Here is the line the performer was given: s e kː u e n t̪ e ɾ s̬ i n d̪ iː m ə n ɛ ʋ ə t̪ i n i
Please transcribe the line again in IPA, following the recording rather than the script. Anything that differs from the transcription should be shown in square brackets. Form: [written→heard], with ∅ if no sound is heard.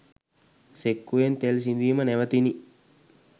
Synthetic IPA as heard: s e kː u e n t̪ e [ɾ→l] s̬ i n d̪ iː m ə n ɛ ʋ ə t̪ i n i